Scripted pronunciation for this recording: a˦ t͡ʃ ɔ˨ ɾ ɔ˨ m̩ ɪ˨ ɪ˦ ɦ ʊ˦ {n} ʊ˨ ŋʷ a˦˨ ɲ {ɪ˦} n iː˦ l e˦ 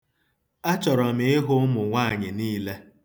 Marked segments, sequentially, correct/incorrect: incorrect: m, incorrect: ɪ˨

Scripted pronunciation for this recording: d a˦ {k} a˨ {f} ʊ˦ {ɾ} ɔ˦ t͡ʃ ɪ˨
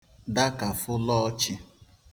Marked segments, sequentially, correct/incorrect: correct, correct, incorrect: l

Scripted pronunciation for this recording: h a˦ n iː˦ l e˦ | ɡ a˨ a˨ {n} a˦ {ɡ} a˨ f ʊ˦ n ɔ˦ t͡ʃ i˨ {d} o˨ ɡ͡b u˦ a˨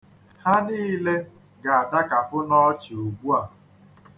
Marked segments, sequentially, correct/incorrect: incorrect: d, incorrect: k, incorrect: none

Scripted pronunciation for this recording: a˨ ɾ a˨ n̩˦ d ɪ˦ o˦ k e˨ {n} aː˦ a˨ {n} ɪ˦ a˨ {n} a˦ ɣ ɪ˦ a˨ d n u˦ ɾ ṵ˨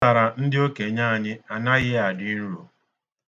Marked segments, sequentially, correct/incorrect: incorrect: ɲ, incorrect: ɲ, correct

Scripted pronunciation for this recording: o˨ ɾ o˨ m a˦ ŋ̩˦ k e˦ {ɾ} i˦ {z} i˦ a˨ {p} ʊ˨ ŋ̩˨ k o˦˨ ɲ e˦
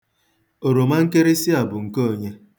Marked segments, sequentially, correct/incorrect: correct, incorrect: s, incorrect: b

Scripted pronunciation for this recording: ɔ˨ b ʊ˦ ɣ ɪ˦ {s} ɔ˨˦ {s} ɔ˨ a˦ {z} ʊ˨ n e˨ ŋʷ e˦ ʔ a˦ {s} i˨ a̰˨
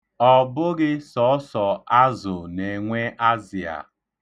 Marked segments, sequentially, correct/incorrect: correct, correct, correct, incorrect: z

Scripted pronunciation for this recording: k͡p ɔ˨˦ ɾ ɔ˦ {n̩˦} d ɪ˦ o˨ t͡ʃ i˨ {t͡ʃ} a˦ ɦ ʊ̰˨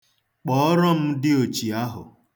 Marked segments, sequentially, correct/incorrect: incorrect: m̩˦, incorrect: none

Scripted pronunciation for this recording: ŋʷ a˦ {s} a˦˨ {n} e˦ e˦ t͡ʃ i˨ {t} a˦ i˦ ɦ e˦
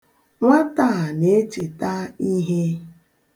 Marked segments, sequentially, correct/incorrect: incorrect: t, correct, correct

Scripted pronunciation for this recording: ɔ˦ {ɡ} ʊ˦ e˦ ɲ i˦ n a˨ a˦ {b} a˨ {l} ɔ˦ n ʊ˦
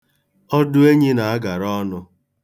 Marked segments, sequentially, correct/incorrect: incorrect: d, incorrect: ɡ, incorrect: ɾ

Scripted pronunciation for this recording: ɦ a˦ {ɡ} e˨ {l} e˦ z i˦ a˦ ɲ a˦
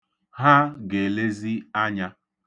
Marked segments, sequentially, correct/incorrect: correct, correct

